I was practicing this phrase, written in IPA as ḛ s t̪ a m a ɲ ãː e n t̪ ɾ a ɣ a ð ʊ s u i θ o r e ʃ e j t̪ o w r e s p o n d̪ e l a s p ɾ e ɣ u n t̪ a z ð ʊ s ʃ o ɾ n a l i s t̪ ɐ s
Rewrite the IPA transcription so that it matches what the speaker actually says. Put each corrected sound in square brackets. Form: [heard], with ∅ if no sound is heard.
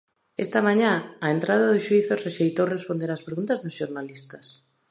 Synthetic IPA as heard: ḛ s t̪ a m a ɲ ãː e n t̪ ɾ a [ð] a ð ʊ [ʃ] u i θ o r e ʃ e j t̪ o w r e s p o n d̪ e [ɾ] a s p ɾ e ɣ u n t̪ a z ð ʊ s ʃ o ɾ n a l i s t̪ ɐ s